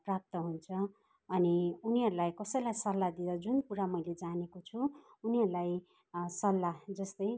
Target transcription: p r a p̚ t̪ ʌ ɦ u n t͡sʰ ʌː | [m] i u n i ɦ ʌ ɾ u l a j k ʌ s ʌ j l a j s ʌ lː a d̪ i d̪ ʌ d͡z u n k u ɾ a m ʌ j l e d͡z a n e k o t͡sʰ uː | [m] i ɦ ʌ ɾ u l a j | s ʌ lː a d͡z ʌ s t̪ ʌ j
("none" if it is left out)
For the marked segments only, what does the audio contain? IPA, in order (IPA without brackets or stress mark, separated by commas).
n, n